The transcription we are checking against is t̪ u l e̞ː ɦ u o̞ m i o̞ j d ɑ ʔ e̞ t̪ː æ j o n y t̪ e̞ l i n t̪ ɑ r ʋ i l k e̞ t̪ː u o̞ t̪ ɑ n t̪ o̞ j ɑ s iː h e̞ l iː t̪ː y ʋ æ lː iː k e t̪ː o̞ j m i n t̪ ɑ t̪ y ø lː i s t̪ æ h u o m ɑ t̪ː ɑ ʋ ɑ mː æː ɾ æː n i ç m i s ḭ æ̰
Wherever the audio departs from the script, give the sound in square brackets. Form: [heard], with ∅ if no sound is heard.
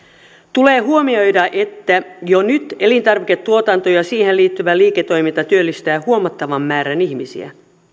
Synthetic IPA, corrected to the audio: t̪ u l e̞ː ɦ u o̞ m i o̞ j d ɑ ʔ e̞ t̪ː æ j o n y t̪ e̞ l i n t̪ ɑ r ʋ i [∅] k e̞ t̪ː u o̞ t̪ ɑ n t̪ o̞ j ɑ s iː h e̞ l iː t̪ː y ʋ æ [l] iː k e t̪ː o̞ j m i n t̪ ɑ t̪ y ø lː i s t̪ [æː] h u o m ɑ t̪ː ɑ ʋ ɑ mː æː ɾ [æ] n i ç m i s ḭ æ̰